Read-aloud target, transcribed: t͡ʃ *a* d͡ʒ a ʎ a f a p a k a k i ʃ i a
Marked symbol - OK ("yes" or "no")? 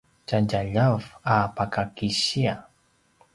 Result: yes